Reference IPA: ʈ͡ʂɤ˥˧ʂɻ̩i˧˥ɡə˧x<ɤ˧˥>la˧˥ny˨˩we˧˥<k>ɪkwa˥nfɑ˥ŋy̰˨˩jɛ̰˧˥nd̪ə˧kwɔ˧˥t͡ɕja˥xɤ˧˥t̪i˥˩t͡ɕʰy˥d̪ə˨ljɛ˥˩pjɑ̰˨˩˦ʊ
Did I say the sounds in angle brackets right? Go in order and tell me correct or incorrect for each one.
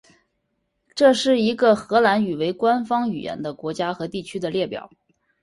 correct, incorrect: none

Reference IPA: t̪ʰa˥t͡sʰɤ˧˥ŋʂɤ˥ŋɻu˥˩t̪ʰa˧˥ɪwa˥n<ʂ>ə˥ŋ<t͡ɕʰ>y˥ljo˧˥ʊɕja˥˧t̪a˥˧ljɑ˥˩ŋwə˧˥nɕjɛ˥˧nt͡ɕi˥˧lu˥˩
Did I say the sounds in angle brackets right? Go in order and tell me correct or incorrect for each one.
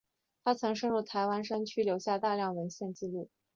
correct, correct

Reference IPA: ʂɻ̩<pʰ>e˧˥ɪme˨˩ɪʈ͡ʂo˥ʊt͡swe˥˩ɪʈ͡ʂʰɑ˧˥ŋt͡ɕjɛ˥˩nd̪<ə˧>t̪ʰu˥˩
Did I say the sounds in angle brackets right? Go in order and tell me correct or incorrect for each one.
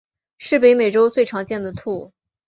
incorrect: p, incorrect: ə˩

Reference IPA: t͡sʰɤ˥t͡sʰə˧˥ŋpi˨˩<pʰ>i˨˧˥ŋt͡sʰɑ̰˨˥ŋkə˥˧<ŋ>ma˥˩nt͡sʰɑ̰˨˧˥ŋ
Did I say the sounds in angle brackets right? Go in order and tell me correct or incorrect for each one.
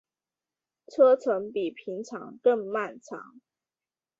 correct, correct

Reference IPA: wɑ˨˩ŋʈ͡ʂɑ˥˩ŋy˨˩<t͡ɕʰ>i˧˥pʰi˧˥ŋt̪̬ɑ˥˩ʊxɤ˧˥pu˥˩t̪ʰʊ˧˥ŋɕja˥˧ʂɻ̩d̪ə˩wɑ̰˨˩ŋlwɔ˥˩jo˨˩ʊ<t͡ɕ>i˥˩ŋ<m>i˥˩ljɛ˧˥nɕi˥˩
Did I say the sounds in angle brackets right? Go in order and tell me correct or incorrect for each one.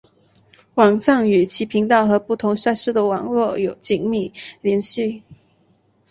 correct, correct, correct

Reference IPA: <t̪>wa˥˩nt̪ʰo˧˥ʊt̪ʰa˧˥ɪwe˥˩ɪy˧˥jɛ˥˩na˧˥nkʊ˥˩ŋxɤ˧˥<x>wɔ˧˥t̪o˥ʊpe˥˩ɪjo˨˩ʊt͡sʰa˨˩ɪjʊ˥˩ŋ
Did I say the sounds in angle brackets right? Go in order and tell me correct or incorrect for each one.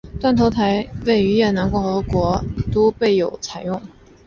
correct, incorrect: k

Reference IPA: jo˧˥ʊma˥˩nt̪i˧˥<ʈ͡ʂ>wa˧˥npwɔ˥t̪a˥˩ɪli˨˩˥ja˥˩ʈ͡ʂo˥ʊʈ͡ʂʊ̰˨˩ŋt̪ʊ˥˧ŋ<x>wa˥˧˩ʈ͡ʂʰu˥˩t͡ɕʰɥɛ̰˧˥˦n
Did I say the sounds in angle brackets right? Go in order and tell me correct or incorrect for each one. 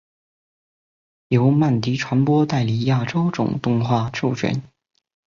incorrect: ʈ͡ʂʰ, correct

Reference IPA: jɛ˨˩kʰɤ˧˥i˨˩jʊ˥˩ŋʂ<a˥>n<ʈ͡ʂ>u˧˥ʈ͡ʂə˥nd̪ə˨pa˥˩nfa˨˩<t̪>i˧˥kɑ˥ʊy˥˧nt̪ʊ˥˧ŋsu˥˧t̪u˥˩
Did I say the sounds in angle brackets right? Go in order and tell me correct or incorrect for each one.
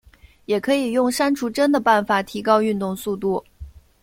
correct, incorrect: ʈ͡ʂʰ, incorrect: t̪ʰ

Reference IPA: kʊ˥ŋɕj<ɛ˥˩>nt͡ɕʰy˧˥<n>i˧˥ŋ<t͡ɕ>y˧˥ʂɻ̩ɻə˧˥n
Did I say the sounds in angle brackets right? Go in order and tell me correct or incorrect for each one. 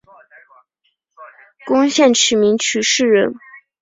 correct, incorrect: m, incorrect: t͡ɕʰ

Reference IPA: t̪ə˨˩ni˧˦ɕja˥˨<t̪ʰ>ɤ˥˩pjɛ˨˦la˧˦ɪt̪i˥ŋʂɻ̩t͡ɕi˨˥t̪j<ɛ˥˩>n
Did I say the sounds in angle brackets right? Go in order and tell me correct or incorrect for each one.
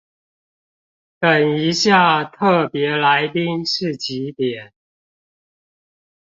correct, incorrect: ɛ˨˩˦

